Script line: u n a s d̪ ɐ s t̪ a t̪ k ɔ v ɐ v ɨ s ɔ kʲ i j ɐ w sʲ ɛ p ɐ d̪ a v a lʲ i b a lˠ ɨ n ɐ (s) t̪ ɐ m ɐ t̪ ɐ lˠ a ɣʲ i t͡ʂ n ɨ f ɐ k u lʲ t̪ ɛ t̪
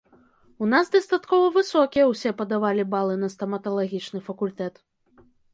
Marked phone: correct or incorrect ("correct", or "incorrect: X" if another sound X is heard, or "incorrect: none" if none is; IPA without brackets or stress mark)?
correct